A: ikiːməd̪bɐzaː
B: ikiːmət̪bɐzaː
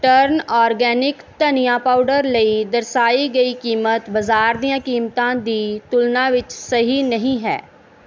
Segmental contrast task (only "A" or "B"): B